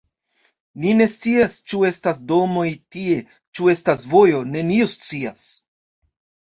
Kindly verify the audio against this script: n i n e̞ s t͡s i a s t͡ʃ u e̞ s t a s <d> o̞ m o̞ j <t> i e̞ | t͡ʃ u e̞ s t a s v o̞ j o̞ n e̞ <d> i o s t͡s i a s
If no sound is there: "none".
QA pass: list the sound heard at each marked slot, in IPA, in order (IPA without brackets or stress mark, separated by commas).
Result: d, t, n